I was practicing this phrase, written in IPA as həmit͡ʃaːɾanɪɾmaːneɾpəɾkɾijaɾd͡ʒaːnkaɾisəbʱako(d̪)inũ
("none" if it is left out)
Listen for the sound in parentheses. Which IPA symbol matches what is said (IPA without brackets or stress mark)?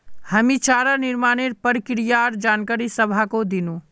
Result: d̪